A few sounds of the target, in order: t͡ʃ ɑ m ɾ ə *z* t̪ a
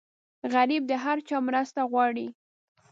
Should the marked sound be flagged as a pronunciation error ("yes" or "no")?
yes